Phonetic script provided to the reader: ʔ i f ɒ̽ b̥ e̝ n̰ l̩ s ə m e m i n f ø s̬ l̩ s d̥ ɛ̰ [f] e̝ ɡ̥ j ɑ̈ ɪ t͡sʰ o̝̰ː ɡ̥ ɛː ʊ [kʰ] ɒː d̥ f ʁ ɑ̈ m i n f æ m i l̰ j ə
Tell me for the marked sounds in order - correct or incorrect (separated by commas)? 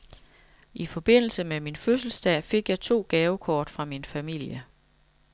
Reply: correct, correct